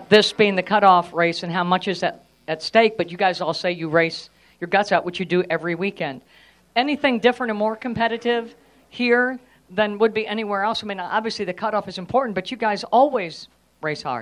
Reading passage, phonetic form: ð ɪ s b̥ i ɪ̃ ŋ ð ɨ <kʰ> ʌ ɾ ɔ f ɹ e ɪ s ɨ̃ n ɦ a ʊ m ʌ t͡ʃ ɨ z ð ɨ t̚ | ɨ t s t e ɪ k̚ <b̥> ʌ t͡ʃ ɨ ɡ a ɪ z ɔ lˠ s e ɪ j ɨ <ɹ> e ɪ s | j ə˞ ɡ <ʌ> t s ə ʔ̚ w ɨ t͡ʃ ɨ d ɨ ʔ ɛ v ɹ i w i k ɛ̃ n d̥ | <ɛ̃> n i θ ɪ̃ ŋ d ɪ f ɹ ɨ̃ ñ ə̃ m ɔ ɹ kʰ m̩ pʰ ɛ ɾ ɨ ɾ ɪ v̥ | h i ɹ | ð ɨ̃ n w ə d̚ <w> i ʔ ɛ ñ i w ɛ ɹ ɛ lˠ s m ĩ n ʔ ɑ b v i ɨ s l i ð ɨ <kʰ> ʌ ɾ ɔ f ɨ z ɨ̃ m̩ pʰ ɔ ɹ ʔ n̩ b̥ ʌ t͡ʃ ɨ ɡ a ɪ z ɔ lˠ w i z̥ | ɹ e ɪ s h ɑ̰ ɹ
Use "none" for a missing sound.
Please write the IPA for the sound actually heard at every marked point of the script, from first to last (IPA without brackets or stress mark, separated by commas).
kʰ, b̥, ɹ, ʌ, ɛ, b, kʰ